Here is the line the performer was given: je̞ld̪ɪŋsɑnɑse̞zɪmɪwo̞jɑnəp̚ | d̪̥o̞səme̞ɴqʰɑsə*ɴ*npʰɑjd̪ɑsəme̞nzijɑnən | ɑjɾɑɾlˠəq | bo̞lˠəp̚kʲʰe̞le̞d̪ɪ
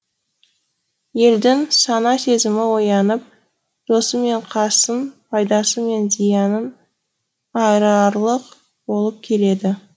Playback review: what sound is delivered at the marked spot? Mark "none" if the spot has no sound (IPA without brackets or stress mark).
none